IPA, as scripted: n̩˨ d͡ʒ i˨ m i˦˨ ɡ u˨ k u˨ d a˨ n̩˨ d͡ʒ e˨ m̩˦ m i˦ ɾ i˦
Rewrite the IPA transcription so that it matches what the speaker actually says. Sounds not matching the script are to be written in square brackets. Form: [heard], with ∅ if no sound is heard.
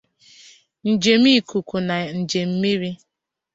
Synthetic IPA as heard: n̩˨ d͡ʒ [e˨] m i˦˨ [k] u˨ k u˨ [n] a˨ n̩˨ d͡ʒ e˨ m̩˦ m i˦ ɾ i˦